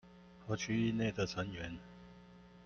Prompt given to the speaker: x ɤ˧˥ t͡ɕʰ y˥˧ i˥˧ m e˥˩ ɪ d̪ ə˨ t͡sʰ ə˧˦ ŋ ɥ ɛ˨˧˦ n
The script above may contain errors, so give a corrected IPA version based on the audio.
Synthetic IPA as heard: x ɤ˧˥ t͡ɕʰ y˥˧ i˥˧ n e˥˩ ɪ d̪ ə˨ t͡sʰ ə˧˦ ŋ ɥ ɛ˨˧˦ n